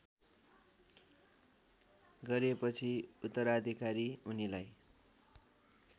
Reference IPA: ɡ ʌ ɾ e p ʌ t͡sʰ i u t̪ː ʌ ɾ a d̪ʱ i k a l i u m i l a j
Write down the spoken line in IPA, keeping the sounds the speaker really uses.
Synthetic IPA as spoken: ɡ ʌ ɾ e p ʌ t͡sʰ i u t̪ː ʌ ɾ a d̪ʱ i k a ɾ i u n i l a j